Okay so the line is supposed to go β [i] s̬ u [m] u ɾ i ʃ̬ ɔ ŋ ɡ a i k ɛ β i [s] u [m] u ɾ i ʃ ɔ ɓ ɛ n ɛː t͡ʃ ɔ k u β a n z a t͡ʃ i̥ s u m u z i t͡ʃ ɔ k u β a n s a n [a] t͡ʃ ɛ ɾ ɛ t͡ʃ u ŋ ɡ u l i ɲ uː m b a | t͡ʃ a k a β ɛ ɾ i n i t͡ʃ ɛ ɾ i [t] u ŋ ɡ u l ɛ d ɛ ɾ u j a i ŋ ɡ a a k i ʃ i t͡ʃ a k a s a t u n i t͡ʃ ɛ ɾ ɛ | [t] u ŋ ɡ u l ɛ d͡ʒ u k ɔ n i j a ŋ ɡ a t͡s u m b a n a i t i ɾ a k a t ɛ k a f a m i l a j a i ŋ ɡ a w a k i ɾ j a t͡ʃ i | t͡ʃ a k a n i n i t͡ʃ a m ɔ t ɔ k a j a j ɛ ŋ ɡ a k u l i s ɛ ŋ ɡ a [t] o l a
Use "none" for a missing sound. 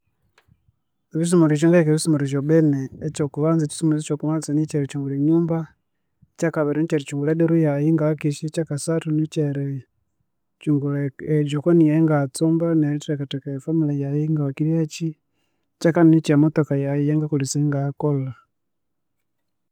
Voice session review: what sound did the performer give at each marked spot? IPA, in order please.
i, m, s, m, i, t͡ʃ, t͡ʃ, k

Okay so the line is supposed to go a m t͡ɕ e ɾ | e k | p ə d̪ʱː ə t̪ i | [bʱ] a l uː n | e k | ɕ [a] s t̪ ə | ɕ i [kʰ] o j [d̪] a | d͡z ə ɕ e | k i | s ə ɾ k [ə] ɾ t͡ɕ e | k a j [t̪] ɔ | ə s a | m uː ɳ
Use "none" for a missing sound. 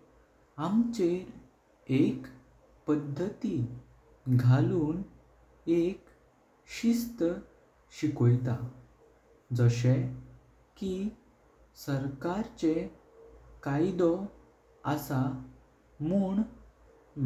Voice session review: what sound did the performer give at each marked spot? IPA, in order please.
ɡʱ, i, k, t̪, a, d̪

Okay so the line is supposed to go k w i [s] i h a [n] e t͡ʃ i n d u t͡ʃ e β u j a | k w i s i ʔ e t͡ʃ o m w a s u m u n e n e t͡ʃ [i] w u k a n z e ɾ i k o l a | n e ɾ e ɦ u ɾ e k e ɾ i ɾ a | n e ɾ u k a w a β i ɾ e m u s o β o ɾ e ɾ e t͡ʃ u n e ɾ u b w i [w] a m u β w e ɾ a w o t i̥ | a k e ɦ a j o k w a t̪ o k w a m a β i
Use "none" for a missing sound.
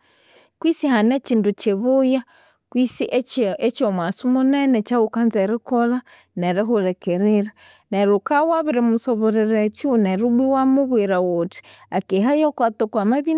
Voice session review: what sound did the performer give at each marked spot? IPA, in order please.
s, n, a, w

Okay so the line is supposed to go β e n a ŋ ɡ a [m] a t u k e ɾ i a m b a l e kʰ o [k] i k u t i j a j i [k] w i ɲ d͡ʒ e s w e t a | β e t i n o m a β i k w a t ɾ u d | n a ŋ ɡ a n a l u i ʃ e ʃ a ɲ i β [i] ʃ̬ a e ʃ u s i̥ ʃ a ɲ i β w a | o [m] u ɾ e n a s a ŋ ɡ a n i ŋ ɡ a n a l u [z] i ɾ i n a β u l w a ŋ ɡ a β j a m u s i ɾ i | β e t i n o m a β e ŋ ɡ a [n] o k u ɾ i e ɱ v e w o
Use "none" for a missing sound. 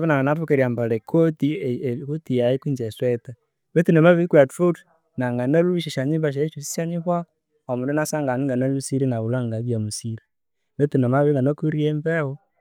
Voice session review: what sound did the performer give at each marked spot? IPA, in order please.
n, t, k, a, m, s, n

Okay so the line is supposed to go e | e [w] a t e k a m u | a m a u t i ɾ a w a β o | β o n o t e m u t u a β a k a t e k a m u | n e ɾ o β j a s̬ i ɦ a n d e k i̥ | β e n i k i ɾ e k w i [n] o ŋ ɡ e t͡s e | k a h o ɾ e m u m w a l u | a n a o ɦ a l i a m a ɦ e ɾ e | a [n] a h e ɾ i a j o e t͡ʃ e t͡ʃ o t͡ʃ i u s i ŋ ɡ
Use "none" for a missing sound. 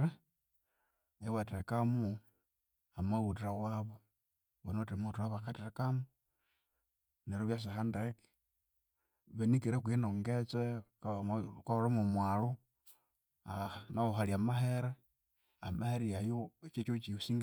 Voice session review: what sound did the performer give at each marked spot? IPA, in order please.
w, n, m

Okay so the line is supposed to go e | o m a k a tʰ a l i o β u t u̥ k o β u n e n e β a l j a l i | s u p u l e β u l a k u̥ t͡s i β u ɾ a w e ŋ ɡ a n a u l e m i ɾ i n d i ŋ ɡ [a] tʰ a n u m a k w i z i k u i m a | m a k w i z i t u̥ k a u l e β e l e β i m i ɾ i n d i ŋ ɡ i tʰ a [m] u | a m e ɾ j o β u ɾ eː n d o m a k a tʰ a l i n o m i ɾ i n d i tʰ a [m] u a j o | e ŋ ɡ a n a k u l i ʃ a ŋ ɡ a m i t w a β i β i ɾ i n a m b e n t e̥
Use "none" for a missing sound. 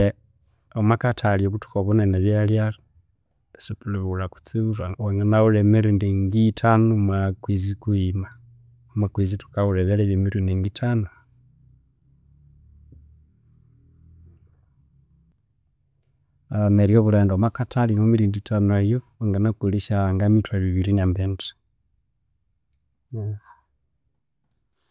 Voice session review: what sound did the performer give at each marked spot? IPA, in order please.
i, n, n

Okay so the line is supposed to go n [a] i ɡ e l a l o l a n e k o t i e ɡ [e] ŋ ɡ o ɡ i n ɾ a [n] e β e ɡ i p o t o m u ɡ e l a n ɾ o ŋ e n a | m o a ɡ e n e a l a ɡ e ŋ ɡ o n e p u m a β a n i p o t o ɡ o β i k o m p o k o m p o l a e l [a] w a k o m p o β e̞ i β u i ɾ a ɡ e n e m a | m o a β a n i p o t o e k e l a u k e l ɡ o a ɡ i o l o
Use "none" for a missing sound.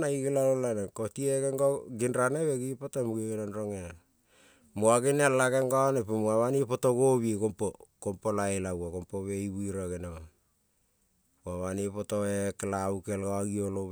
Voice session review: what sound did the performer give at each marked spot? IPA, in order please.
a, e, n, a

